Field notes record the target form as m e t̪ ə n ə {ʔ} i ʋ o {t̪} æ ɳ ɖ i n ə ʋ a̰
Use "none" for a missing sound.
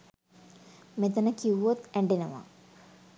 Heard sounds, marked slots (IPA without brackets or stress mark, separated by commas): k, t̪